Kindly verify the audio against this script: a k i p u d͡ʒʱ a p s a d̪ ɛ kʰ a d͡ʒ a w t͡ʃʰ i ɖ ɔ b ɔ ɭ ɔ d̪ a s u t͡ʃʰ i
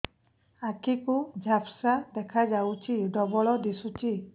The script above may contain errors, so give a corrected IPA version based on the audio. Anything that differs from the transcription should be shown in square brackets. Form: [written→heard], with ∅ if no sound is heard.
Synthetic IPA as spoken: a k i [p→k] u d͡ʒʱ a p s a d̪ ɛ kʰ a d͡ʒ a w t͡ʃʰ i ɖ ɔ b ɔ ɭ ɔ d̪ [a→i] s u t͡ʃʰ i